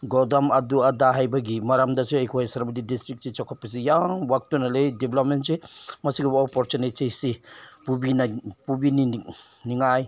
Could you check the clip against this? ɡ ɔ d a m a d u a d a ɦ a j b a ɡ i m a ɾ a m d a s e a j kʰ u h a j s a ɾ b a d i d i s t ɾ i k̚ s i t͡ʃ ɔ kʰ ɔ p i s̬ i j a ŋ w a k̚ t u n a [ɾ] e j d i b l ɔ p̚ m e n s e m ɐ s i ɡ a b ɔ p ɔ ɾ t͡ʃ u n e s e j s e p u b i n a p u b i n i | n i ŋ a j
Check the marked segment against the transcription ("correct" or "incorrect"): incorrect